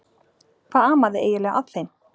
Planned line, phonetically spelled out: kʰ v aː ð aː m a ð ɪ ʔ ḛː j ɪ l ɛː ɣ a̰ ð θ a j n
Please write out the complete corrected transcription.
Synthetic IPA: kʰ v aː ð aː m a ð ɪ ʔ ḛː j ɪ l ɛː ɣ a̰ ð θ e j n